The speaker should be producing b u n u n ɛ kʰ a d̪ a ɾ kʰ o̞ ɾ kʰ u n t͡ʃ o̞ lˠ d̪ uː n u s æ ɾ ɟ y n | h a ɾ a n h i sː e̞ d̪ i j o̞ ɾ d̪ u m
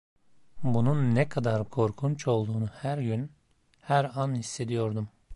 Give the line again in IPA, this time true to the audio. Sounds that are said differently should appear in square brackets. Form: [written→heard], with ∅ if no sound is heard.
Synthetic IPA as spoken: b u n u [n→nː] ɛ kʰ a d̪ a ɾ kʰ o̞ ɾ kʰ u n t͡ʃ o̞ lˠ d̪ uː n u [s→h] æ ɾ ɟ y n | h [a→æ] ɾ a n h i sː e̞ d̪ i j o̞ ɾ d̪ u m